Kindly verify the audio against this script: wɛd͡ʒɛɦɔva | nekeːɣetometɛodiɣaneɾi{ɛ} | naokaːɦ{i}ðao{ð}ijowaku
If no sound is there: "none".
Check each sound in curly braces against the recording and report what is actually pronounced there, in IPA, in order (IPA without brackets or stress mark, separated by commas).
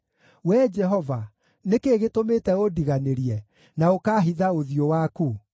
ɛ, i, ð